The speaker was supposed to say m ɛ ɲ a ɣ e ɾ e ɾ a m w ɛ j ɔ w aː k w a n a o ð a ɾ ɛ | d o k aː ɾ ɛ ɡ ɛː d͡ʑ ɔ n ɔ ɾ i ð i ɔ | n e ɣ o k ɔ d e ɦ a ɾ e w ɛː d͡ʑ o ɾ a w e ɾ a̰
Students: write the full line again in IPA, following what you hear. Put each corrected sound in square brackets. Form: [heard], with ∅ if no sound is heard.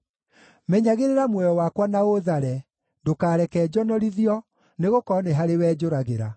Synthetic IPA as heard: m ɛ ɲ a ɣ e ɾ e ɾ a m w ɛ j ɔ w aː k w a n a o ð a ɾ ɛ | d o k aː ɾ ɛ [k] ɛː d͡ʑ ɔ n ɔ ɾ i ð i ɔ | n e ɣ o k ɔ [n] e ɦ a ɾ e w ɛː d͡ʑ o ɾ a [ɣ] e ɾ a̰